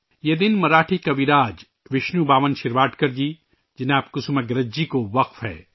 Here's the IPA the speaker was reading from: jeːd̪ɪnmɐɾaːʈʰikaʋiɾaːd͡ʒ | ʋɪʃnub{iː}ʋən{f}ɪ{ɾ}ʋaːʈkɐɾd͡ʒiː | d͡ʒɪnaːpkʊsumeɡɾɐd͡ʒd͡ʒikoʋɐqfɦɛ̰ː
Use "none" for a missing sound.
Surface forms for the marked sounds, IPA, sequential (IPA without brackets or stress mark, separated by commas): aː, ʃ, ɾ